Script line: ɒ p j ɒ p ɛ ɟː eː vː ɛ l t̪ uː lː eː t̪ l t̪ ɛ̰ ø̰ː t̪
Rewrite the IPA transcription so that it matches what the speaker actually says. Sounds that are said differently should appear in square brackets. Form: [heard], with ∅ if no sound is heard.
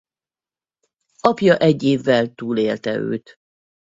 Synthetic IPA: ɒ p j ɒ [ʔ] ɛ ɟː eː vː ɛ l t̪ uː [l] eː [∅] l t̪ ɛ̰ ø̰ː t̪